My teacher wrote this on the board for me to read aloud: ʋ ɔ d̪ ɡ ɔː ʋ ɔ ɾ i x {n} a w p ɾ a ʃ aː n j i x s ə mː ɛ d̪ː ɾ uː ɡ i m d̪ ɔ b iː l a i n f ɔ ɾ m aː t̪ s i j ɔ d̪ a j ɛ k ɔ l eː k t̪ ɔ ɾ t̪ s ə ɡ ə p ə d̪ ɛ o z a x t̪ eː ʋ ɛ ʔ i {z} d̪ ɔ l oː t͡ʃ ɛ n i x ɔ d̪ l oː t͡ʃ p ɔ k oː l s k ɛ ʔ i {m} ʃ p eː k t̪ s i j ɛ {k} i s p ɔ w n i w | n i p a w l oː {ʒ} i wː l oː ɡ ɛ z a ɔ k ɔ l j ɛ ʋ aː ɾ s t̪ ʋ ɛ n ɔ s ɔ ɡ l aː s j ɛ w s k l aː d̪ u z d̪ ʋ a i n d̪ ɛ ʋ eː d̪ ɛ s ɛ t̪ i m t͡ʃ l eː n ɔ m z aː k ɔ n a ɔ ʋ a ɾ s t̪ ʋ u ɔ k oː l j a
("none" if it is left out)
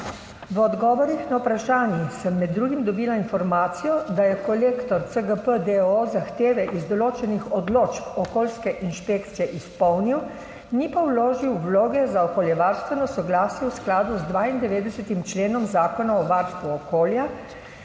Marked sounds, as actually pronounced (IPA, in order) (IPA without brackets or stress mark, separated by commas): n, z, n, ʔ, ʒ